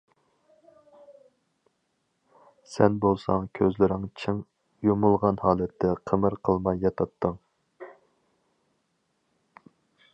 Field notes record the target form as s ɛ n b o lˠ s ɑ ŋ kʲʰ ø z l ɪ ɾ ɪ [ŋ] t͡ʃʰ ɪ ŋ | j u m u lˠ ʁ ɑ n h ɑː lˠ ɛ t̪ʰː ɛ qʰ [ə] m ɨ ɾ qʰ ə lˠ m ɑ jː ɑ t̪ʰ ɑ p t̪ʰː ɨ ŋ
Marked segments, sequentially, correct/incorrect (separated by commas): correct, correct